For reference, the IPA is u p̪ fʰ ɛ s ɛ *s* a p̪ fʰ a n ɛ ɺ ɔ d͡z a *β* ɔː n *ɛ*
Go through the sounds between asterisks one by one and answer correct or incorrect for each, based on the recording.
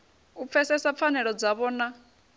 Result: correct, correct, incorrect

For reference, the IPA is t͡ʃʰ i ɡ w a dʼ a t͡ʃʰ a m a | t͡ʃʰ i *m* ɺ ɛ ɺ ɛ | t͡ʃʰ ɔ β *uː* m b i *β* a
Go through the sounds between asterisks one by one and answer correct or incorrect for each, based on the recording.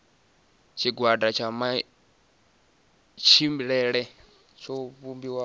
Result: correct, incorrect, incorrect

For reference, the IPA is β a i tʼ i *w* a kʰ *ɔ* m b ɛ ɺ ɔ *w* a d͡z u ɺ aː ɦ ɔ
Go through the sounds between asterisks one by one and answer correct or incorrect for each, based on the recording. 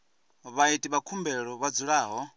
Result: incorrect, incorrect, incorrect

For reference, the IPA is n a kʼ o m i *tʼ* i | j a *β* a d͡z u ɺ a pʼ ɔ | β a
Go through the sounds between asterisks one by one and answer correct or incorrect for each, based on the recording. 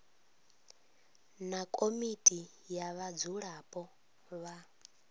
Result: correct, correct

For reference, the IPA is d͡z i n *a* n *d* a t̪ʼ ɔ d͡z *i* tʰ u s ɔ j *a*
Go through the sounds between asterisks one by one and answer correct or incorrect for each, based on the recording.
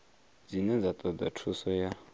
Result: incorrect, incorrect, incorrect, correct

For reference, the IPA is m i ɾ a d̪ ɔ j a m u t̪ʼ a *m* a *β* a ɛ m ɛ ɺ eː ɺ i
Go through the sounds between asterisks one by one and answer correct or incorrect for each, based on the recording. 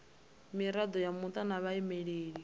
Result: incorrect, correct

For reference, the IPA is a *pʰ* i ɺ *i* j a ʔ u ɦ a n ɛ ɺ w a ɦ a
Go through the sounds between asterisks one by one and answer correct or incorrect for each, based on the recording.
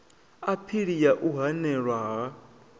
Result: correct, correct

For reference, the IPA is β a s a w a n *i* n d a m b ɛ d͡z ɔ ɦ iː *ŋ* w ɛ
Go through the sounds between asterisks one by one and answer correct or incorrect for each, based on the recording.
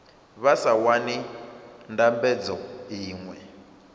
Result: correct, correct

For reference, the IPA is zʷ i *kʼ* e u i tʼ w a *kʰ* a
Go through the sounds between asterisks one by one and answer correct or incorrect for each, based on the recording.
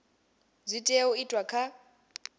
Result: incorrect, correct

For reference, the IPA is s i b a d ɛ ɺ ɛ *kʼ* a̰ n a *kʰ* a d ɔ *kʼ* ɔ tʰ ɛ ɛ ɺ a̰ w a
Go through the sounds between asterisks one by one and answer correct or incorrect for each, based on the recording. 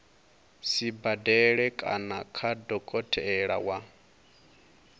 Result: correct, correct, correct

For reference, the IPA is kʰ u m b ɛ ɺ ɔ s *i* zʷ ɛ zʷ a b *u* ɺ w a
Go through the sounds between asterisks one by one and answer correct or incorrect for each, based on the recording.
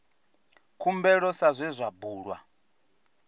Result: incorrect, incorrect

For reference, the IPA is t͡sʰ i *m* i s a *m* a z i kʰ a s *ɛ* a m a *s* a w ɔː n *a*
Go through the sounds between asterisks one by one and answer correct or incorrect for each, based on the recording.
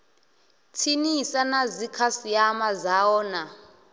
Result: incorrect, incorrect, incorrect, incorrect, correct

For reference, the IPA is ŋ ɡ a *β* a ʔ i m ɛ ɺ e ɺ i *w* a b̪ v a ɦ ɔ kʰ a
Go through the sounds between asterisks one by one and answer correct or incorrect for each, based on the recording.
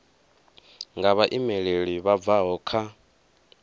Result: correct, incorrect

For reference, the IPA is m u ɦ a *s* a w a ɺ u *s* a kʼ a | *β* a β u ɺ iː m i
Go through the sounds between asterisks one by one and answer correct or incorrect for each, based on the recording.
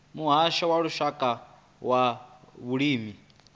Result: incorrect, incorrect, incorrect

